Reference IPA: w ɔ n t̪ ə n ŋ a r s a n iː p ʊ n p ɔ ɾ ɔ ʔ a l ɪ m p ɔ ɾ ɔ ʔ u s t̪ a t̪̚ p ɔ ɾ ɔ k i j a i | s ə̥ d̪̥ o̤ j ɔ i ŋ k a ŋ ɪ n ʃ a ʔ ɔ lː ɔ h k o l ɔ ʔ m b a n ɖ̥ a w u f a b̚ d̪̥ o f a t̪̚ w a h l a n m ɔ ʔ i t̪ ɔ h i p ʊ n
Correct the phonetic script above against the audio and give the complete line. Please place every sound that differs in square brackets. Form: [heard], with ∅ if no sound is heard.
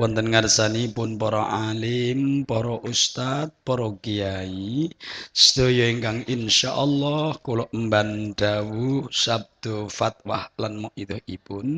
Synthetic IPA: w ɔ n t̪ ə n ŋ a r s a n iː p ʊ n p ɔ ɾ ɔ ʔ a l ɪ m p ɔ ɾ ɔ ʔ u s t̪ a t̪̚ p ɔ ɾ ɔ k i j a i | s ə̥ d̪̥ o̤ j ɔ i ŋ k a ŋ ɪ n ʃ a ʔ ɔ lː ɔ h k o l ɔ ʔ m b a n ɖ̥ a w u [s] a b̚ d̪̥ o f a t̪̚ w a h l a n m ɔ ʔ i t̪ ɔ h i p ʊ n